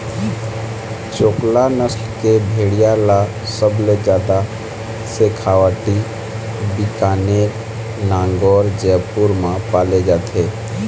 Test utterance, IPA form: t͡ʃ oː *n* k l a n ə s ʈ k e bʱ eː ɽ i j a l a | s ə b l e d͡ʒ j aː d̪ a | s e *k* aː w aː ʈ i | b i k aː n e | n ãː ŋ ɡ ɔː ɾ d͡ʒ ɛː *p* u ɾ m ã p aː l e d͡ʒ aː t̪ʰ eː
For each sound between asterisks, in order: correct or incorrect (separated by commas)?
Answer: incorrect, incorrect, correct